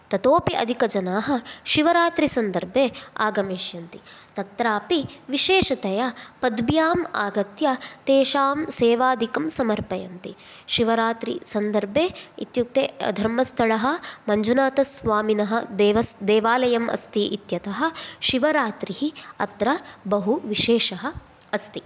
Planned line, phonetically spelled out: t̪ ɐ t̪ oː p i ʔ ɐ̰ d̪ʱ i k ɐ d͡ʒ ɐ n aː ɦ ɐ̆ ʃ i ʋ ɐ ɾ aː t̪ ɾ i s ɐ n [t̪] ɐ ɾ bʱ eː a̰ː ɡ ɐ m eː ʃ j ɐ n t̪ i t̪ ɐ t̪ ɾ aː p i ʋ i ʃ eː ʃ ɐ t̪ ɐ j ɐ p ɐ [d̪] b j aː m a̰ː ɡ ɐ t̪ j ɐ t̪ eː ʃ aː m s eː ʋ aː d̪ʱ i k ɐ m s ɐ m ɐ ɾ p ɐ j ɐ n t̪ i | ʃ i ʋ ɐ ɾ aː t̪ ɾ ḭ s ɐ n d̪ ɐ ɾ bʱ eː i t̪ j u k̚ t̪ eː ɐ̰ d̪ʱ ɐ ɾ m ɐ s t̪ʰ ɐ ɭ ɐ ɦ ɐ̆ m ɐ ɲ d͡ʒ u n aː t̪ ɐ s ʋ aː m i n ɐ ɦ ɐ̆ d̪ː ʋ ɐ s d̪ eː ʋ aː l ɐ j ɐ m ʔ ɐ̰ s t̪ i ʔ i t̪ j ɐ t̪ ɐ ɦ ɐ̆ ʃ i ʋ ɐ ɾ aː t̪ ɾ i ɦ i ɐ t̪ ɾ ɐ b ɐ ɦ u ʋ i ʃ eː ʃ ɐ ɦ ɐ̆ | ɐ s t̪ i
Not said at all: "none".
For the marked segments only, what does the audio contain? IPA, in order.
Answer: d̪, d̪

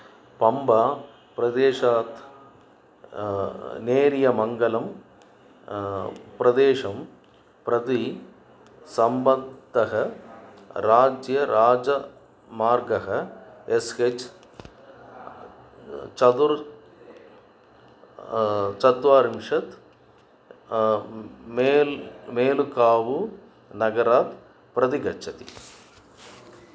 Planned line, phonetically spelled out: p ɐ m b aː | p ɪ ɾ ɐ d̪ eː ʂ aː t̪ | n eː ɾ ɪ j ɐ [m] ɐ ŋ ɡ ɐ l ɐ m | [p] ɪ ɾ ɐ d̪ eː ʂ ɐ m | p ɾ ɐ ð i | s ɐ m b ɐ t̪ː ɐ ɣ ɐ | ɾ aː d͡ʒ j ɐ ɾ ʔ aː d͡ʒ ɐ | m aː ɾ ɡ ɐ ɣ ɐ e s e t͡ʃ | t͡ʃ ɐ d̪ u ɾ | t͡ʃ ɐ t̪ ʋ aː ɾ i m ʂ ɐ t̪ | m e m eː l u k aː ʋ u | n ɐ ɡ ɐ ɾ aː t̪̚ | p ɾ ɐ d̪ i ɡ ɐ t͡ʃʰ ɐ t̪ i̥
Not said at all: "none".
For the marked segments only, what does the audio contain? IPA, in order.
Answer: m, p

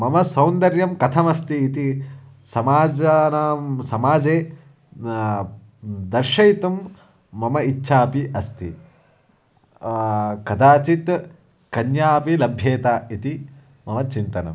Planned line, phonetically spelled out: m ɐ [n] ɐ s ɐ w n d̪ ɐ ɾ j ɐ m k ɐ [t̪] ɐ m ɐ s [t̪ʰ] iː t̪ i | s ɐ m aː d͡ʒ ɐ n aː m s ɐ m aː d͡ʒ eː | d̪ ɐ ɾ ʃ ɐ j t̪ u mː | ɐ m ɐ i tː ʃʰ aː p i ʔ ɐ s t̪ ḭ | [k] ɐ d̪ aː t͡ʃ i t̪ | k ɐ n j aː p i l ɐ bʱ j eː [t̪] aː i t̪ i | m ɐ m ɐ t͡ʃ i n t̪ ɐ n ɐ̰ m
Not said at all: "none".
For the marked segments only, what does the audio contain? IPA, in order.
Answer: m, t̪ʰ, t̪, k, t̪

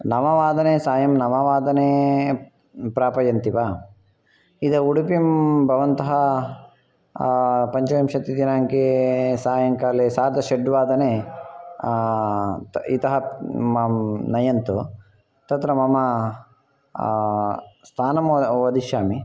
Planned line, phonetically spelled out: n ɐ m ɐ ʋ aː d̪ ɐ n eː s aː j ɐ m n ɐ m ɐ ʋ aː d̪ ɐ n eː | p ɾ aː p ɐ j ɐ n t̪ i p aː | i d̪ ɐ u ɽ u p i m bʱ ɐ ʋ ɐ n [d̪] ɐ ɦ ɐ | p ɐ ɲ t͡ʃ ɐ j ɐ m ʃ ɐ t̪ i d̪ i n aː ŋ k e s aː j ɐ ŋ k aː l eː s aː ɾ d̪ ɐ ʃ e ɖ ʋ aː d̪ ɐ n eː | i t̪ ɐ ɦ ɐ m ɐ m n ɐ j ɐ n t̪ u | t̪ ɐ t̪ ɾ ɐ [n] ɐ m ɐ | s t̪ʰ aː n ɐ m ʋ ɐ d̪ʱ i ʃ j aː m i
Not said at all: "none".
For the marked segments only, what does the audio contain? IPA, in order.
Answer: t̪, m

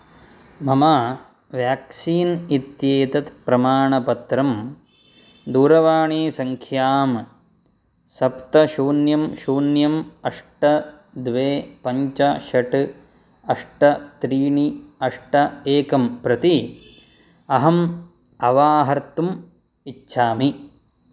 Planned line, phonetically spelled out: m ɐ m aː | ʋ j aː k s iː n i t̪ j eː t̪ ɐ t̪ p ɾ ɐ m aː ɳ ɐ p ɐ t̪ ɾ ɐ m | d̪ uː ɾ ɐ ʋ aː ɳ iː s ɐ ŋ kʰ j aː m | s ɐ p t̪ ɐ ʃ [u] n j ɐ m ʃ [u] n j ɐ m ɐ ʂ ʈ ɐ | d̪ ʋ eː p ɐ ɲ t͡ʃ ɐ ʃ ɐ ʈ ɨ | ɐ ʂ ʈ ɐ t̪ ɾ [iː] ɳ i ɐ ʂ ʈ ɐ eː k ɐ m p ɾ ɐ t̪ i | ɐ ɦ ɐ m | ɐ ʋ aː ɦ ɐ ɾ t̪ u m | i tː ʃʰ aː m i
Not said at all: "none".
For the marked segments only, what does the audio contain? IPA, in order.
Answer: uː, uː, iː

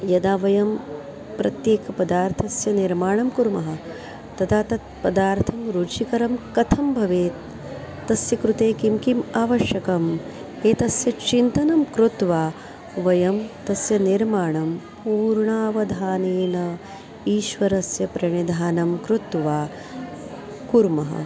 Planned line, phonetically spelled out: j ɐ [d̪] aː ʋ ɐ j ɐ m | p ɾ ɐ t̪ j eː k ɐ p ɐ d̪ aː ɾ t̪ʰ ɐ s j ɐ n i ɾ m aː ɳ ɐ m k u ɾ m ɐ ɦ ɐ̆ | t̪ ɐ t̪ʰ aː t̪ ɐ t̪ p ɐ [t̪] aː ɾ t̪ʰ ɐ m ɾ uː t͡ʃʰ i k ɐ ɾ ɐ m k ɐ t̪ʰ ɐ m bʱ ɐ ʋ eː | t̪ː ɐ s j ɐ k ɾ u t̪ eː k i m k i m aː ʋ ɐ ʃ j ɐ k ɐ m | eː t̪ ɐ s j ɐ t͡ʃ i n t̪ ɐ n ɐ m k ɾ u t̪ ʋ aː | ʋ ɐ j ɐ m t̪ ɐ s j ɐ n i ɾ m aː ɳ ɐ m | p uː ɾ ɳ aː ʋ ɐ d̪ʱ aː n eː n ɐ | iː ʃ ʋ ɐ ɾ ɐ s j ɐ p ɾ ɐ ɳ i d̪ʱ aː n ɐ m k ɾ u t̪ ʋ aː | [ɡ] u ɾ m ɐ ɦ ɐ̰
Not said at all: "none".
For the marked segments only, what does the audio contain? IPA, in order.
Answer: d̪, d̪, k

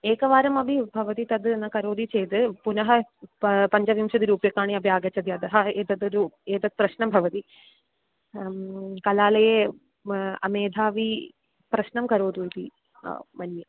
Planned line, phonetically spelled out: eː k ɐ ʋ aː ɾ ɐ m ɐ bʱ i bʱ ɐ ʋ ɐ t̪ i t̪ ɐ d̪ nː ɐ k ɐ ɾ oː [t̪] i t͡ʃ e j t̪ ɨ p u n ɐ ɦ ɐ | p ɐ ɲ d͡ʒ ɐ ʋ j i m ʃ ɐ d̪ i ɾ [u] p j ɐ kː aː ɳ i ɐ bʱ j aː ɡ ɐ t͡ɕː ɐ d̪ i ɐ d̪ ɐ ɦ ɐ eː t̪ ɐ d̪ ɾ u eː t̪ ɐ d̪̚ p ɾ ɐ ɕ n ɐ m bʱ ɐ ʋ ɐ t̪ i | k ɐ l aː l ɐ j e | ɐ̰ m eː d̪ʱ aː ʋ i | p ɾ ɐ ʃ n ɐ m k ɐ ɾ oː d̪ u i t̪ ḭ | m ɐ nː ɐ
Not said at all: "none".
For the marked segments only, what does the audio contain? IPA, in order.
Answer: d̪, uː

